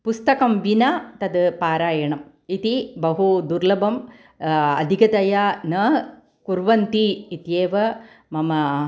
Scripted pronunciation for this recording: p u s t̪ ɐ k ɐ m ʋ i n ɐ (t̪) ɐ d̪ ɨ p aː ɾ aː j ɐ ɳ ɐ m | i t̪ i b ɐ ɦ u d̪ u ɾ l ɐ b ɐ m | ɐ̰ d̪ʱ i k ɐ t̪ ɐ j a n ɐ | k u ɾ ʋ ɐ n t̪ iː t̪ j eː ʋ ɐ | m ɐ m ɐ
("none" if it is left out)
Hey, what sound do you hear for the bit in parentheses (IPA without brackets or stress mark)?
t̪